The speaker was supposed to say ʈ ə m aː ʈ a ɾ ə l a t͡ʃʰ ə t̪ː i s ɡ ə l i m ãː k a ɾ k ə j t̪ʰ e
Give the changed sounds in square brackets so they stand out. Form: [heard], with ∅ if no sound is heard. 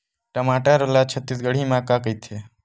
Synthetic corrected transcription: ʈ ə m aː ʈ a ɾ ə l a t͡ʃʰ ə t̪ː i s ɡ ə [ɽ] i m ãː k a [∅] k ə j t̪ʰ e